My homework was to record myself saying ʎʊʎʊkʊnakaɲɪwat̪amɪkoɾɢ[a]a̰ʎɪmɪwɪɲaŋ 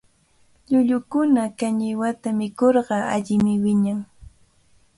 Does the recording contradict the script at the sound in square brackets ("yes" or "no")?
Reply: yes